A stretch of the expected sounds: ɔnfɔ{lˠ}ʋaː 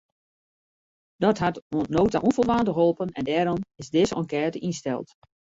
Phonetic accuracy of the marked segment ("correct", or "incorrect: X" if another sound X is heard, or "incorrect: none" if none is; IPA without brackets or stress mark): correct